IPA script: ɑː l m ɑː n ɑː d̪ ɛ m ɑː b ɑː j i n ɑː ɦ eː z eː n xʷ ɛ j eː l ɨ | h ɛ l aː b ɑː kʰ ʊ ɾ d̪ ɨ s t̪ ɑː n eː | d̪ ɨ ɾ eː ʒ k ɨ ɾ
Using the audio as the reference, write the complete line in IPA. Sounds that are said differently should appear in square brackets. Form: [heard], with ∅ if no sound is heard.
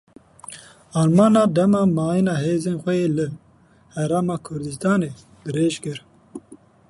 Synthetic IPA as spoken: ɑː l m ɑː n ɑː d̪ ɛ m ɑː [m] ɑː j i n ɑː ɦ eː z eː n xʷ ɛ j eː l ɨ | h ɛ [ɾ] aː [m] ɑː kʰ ʊ ɾ d̪ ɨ s t̪ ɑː n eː | d̪ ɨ ɾ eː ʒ k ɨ ɾ